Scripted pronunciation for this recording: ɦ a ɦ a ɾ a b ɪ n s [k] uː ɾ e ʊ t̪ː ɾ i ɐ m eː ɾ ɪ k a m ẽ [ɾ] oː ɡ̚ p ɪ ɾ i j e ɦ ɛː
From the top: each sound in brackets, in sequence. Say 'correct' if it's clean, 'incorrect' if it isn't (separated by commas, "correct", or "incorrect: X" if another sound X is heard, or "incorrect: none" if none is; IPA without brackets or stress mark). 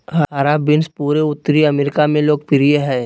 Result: incorrect: p, incorrect: l